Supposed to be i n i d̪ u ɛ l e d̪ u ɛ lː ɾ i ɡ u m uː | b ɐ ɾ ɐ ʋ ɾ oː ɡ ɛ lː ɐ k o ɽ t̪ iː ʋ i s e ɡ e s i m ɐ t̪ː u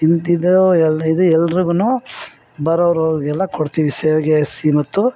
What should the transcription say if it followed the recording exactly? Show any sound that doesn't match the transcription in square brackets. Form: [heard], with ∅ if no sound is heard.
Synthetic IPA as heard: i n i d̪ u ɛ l [i] d̪ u ɛ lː ɾ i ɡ u [n] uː | b ɐ ɾ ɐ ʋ ɾ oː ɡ ɛ lː ɐ k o ɽ t̪ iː ʋ i s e ɡ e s i m ɐ t̪ː u